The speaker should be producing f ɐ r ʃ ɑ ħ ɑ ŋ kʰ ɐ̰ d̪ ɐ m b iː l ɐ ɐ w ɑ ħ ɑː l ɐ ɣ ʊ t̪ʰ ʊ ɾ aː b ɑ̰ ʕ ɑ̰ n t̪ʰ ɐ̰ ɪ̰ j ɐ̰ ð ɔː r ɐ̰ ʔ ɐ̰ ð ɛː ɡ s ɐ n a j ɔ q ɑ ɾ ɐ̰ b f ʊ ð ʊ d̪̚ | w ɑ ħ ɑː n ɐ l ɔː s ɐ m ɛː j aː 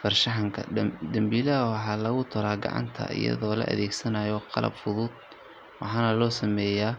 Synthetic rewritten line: f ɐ r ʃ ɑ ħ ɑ ŋ kʰ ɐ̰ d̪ ɐ m b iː l ɐ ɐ w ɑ ħ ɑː l ɐ ɣ ʊ t̪ʰ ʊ ɾ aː ɡ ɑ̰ ʕ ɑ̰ n t̪ʰ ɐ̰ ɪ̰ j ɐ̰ ð ɔː l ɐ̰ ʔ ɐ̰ ð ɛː ɡ s ɐ n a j ɔ q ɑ l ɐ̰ b f ʊ ð ʊ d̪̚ | w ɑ ħ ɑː n ɐ l ɔː s ɐ m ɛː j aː